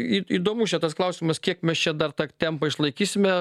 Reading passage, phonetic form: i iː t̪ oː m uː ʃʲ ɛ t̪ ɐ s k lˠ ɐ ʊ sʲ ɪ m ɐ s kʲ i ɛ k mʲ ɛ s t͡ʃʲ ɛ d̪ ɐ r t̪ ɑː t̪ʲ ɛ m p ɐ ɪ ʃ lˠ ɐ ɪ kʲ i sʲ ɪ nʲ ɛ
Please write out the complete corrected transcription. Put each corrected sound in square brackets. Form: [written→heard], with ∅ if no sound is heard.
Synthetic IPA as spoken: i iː [t̪→d̪] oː m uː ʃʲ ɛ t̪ ɐ s k lˠ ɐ ʊ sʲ ɪ m ɐ s kʲ i ɛ k mʲ ɛ s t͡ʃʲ ɛ d̪ ɐ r t̪ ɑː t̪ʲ ɛ m p ɐ ɪ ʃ lˠ ɐ ɪ kʲ [i→iː] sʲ ɪ [nʲ→mʲ] ɛ